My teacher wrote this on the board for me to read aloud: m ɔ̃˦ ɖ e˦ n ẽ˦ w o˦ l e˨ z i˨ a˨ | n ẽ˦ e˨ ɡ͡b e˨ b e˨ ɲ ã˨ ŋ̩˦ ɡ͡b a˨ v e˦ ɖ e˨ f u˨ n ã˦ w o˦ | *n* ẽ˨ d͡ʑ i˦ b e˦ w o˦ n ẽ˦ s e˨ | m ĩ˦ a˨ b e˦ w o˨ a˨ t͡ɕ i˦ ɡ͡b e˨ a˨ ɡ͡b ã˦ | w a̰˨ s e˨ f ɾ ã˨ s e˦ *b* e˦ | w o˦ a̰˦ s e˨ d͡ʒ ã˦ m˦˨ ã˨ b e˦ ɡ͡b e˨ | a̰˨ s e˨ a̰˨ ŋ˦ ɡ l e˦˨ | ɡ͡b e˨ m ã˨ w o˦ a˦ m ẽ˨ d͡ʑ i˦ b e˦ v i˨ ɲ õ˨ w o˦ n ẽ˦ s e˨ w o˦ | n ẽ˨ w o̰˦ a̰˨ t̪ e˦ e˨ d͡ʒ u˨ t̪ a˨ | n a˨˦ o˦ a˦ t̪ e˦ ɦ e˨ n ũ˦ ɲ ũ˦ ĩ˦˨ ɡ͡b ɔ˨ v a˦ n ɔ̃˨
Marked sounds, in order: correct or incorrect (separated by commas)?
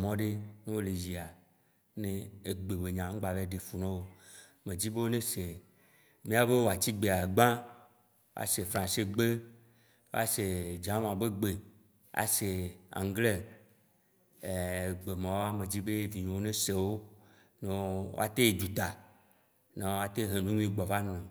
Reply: incorrect, incorrect